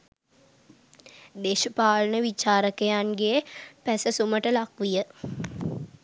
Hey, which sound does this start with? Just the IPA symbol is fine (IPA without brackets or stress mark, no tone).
d̪